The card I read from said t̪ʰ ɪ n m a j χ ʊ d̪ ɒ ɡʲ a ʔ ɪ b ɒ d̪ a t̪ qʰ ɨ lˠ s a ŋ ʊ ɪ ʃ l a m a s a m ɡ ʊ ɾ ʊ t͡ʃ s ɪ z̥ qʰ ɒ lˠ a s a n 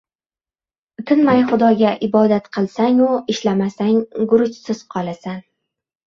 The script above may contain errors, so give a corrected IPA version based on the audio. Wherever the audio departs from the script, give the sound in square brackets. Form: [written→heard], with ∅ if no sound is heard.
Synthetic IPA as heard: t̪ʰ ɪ n m a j χ ʊ d̪ ɒ ɡʲ a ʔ ɪ b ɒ d̪ a t̪ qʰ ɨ lˠ s a ŋ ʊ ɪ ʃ l a m a s a [m→ŋ] ɡ ʊ ɾ ʊ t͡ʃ s ɪ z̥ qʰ ɒ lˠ a s a n